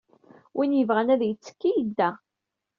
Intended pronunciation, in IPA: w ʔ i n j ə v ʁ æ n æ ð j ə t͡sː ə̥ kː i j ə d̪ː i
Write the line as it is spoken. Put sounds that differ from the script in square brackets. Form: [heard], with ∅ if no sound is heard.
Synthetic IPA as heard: w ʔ i n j ə v ʁ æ n æ ð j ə t͡sː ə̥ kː i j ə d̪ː [æ]